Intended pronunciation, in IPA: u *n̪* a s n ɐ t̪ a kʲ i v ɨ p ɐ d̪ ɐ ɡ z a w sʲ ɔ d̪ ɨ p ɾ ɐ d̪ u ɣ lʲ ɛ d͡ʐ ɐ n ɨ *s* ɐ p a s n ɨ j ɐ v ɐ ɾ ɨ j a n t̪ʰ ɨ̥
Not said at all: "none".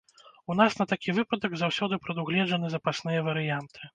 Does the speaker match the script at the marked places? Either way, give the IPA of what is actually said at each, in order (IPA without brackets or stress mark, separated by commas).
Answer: n̪, z